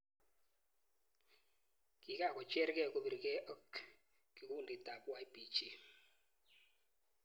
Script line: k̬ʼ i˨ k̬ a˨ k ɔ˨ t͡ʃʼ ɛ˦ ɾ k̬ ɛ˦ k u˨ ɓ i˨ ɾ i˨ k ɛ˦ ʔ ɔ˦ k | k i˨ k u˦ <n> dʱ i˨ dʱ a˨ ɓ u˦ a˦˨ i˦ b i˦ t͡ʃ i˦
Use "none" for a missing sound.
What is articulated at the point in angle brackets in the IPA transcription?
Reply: n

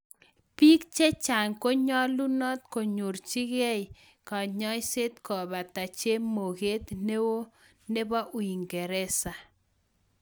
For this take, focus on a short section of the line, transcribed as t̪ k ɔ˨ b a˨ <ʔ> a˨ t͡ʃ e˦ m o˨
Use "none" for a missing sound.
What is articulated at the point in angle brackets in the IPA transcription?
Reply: t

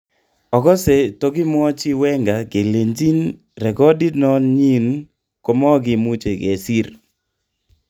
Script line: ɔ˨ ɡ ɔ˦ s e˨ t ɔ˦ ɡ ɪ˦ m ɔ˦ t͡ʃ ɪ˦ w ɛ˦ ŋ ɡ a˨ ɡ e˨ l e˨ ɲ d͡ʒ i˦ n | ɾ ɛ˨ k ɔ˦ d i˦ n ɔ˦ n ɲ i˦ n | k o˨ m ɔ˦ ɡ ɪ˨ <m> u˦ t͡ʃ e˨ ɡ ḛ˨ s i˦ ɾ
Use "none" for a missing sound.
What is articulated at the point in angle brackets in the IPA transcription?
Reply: m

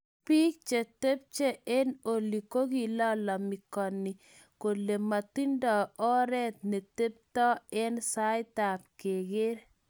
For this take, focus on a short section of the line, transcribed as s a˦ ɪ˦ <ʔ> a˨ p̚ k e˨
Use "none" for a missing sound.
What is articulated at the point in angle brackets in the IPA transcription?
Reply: t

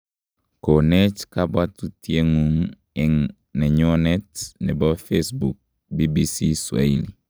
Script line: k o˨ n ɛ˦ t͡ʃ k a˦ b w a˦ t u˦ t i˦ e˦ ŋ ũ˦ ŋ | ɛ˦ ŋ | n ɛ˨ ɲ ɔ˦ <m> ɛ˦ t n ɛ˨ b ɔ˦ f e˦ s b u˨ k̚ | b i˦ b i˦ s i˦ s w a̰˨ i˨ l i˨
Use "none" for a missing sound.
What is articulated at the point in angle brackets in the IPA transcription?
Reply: n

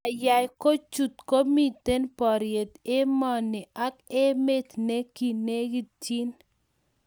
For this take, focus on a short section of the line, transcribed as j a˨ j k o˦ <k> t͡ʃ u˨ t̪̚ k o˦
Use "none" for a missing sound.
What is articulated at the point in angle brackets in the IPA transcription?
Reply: none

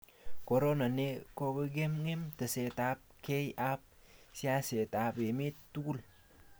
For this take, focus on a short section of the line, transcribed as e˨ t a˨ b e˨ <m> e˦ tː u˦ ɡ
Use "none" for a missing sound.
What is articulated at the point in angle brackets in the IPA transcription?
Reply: m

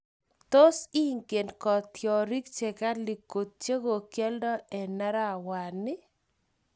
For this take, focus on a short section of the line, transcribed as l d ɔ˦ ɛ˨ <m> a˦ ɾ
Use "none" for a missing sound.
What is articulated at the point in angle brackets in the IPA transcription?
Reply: n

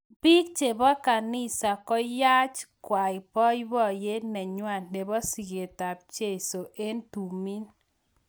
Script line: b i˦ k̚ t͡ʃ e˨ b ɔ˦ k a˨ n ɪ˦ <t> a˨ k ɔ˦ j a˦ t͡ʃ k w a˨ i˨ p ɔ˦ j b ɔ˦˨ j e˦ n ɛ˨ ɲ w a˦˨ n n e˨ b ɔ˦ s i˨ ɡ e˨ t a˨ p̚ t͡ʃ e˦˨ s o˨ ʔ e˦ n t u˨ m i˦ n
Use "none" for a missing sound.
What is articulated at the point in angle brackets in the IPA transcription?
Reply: s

